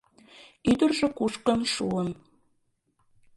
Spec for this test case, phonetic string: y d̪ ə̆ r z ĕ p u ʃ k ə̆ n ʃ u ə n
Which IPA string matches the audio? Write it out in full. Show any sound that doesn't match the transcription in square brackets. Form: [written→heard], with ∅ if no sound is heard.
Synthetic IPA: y d̪ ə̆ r [z→ʒ] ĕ [p→k] u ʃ k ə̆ n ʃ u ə n